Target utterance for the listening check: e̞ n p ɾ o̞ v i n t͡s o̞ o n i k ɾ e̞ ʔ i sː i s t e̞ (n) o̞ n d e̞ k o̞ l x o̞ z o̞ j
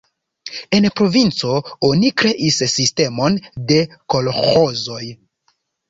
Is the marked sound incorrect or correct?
incorrect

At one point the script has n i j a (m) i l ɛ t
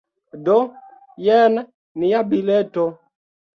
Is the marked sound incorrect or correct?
incorrect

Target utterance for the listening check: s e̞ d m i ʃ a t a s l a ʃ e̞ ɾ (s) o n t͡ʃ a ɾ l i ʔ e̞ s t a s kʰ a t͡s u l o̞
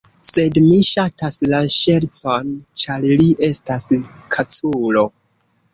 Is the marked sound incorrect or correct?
incorrect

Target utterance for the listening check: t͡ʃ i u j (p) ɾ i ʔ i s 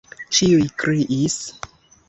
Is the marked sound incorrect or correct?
incorrect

